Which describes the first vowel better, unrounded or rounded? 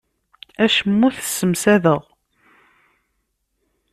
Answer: unrounded